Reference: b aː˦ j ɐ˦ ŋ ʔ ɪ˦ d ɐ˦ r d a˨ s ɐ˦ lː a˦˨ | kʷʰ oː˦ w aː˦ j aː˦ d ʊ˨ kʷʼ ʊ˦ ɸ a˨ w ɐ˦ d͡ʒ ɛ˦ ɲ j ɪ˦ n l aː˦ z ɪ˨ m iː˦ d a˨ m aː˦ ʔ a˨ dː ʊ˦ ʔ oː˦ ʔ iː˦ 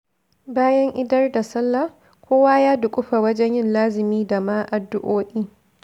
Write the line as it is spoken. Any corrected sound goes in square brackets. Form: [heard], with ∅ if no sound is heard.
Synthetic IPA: b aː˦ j ɐ˦ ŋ ʔ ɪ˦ d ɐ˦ r d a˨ s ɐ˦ lː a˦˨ | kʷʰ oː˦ w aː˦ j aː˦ d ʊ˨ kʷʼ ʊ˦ ɸ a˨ w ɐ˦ d͡ʒ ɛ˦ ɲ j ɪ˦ n l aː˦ z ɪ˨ m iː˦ d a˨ m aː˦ ʔ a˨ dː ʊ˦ ʔ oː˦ ʔ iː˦